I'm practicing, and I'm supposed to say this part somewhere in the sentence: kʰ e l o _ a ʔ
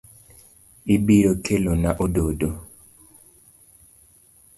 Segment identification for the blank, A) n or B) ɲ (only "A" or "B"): A